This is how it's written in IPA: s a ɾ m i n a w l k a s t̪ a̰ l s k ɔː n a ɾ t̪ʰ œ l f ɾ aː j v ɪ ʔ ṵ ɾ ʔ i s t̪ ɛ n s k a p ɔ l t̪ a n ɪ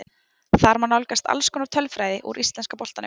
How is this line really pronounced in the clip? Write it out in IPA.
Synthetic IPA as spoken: θ a ɾ m a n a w l k a s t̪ a̰ l s k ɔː n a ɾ t̪ʰ œ l f ɾ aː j ð ɪ ʔ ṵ ɾ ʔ i s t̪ ɛ n s k a p ɔ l t̪ a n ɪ